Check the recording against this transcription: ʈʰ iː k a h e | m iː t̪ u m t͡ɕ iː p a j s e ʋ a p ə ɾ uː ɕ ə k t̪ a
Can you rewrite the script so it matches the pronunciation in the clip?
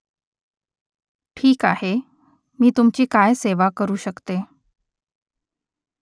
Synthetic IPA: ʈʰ iː k a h e | m iː t̪ u m t͡ɕ iː k a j s e ʋ a k ə ɾ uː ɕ ə k t̪ e